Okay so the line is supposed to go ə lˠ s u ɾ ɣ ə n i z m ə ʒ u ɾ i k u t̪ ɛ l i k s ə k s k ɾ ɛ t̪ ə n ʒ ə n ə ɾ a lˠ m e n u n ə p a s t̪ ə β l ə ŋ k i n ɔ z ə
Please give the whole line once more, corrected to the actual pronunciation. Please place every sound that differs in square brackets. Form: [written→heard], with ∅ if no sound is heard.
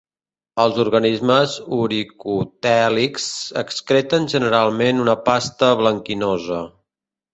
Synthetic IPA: ə lˠ [s→z] u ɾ ɣ ə n i z m ə [ʒ→z] u ɾ i k u t̪ ɛ l i k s ə k s k ɾ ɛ t̪ ə n ʒ ə n ə ɾ a lˠ m e n u n ə p a s t̪ ə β l ə ŋ k i n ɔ z ə